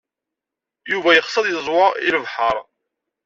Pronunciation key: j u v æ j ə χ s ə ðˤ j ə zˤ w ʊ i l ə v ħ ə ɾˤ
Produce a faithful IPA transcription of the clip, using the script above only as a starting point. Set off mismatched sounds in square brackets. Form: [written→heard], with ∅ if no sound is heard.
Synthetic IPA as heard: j u v æ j ə χ s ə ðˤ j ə zˤ w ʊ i l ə v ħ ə ɾˤ